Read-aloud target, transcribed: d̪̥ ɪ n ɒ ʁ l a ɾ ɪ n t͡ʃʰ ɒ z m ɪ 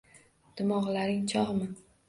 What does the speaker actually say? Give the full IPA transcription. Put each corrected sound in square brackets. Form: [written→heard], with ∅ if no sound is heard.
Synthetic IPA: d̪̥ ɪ [n→m] ɒ ʁ l a ɾ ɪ [n→ŋ] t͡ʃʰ ɒ [z→ʁ] m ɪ

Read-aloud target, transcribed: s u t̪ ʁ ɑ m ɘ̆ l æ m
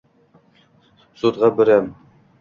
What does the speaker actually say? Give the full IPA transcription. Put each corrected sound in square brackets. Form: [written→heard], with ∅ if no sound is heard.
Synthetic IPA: s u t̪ ʁ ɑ [m→b] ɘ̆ [l→ɾ] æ m

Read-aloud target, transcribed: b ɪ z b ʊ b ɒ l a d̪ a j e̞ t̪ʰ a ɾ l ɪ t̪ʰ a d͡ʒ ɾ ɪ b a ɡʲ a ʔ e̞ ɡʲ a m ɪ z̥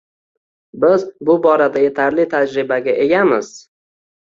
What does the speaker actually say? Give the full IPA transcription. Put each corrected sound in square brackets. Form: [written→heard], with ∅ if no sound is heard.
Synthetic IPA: b ɪ z b ʊ b ɒ [l→ɾ] a d̪ a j e̞ t̪ʰ a ɾ l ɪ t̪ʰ a d͡ʒ ɾ ɪ b a ɡʲ a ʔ e̞ ɡʲ a m ɪ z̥

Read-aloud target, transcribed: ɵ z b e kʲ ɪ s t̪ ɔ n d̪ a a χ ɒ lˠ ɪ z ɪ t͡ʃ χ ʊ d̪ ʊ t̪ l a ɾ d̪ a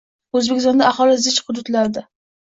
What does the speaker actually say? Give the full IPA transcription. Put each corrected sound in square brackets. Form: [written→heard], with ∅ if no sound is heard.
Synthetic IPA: ɵ z b e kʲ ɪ s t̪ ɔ n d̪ a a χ ɒ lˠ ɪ z ɪ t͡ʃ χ ʊ d̪ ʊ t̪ l a ɾ d̪ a

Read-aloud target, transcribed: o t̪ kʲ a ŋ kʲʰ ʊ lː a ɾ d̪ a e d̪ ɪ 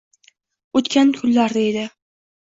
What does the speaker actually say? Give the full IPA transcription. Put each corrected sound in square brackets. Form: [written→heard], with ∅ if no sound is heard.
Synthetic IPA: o t̪ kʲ a [ŋ→n] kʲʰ ʊ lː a ɾ d̪ a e d̪ ɪ

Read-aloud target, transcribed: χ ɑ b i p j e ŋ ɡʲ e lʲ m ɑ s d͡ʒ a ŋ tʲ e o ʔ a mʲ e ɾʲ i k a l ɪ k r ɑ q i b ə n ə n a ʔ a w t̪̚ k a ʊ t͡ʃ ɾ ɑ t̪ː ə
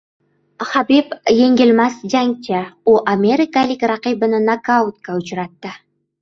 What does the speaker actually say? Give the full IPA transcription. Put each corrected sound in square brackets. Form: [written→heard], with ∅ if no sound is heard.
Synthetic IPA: χ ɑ b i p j e ŋ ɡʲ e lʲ m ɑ s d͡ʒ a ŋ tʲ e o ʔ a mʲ e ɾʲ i k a l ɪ k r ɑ q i b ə n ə n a [ʔ→k] a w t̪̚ k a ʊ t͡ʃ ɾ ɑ t̪ː ə

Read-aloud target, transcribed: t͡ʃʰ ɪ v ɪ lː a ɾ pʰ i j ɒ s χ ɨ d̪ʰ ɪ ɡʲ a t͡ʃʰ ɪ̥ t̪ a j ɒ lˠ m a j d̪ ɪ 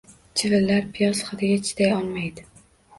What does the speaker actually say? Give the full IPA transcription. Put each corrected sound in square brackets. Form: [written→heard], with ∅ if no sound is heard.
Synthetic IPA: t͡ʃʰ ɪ v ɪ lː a ɾ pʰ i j ɒ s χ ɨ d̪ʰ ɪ ɡʲ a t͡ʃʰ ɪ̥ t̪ a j ɒ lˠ m a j d̪ ɪ

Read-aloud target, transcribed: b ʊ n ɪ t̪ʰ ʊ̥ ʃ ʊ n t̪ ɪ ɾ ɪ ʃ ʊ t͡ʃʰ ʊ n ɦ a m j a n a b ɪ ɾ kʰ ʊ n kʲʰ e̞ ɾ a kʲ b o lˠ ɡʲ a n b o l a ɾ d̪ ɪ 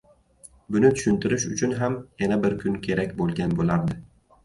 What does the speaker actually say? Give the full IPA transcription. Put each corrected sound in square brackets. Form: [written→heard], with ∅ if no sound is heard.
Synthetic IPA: b ʊ n ɪ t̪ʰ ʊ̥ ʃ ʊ n t̪ ɪ ɾ ɪ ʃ ʊ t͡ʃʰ ʊ n ɦ a m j a n a b ɪ ɾ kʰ ʊ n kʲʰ e̞ ɾ a kʲ b o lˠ ɡʲ a n b o l a ɾ d̪ ɪ

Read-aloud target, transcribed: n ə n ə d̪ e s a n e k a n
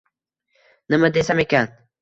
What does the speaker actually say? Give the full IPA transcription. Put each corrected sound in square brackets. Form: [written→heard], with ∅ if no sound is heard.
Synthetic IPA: n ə [n→m] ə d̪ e s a [n→m] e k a n

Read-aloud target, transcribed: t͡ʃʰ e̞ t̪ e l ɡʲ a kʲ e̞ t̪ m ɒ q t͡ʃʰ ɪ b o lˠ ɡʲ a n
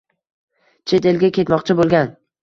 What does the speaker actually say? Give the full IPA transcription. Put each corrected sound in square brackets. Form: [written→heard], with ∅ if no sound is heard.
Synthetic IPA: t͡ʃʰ e̞ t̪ e l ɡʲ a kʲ e̞ t̪ m ɒ q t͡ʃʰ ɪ b o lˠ ɡʲ a n

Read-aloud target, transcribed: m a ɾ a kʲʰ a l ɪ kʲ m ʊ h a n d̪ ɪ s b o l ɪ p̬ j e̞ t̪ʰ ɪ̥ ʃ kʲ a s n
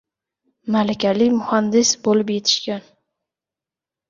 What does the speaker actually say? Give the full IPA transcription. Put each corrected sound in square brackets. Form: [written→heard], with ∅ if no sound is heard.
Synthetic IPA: m a [ɾ→l] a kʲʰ a l ɪ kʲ m ʊ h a n d̪ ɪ s b o l ɪ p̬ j e̞ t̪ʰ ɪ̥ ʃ kʲ a [s→∅] n

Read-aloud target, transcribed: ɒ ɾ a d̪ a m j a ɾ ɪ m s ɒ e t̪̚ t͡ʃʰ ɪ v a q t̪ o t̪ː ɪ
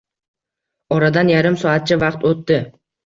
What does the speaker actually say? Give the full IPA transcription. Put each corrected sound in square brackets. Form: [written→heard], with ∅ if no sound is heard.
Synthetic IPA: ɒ ɾ a d̪ a [m→n] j a ɾ ɪ m s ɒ [e→a] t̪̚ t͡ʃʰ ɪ v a q t̪ o t̪ː ɪ

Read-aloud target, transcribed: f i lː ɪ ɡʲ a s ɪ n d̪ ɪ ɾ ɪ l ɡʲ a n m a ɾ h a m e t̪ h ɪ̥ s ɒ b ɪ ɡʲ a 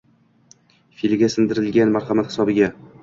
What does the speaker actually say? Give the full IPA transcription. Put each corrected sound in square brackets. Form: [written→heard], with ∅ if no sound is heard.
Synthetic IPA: f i [lː→l] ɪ ɡʲ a s ɪ n d̪ ɪ ɾ ɪ l ɡʲ a n m a ɾ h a m [e→a] t̪ h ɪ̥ s ɒ b ɪ ɡʲ a

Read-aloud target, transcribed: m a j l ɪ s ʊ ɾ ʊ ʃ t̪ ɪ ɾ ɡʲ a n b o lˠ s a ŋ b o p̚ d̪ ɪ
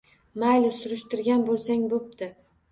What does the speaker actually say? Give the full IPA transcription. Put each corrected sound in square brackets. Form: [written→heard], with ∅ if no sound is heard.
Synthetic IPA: m a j l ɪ s ʊ ɾ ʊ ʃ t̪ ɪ ɾ ɡʲ a n b o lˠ s a ŋ b o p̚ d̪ ɪ

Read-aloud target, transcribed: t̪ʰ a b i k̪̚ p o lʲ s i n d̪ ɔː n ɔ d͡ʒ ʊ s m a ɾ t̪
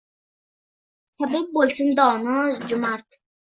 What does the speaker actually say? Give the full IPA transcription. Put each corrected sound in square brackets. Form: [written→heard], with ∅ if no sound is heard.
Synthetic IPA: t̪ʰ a b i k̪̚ [p→b] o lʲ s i n d̪ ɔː n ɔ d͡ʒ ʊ [s→∅] m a ɾ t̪

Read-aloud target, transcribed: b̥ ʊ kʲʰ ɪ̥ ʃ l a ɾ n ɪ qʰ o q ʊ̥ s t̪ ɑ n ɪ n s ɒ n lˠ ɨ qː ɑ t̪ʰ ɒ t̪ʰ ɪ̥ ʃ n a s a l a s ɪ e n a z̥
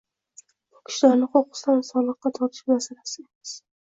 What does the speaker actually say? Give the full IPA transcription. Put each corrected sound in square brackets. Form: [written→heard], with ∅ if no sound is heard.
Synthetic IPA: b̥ ʊ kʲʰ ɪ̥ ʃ l a ɾ n ɪ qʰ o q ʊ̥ s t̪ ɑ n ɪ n s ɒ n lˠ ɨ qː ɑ t̪ʰ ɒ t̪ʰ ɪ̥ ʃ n a s a l a s ɪ e [n→m] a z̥

